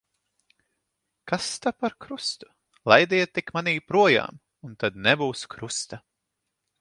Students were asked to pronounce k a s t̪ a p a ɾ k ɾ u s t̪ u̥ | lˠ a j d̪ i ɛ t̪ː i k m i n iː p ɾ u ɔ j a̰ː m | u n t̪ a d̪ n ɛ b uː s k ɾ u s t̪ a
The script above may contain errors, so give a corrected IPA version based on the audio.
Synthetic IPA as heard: k a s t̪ a p a ɾ k ɾ u s t̪ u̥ | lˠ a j d̪ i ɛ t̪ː i k m a n iː p ɾ u ɔ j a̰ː m | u n t̪ a d̪ n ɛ b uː s k ɾ u s t̪ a